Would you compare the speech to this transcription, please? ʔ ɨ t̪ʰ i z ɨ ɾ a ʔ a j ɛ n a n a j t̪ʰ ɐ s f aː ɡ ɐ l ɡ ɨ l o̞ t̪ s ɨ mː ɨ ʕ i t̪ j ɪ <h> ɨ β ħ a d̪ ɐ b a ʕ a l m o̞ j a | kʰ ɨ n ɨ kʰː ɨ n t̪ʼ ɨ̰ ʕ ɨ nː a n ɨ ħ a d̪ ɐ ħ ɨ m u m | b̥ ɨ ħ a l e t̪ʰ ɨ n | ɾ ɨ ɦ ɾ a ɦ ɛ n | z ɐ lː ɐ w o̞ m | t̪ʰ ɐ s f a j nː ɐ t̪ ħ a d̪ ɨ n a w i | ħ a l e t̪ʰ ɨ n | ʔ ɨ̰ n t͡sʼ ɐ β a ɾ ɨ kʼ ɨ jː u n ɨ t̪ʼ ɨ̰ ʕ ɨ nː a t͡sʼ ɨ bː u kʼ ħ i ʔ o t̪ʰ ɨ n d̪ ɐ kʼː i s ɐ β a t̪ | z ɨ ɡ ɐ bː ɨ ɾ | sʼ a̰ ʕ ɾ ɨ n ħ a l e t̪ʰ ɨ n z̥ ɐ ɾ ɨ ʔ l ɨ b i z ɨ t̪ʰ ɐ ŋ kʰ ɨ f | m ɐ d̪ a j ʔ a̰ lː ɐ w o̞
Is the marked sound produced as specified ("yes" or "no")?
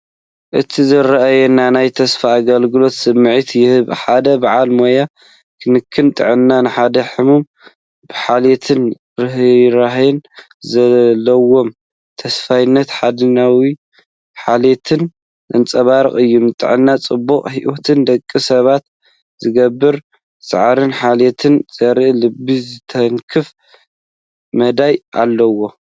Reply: yes